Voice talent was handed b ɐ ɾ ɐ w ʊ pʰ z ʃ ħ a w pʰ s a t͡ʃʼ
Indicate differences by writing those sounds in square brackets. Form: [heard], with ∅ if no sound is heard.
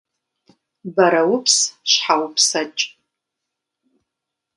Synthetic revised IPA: b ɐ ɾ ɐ w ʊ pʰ [s] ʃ ħ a w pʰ s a t͡ʃʼ